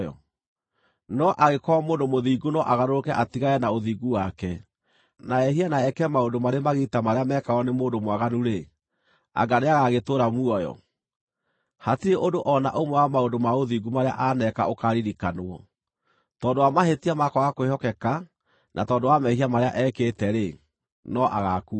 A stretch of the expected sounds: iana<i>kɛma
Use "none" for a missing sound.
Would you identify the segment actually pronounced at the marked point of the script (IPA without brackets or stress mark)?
ɛ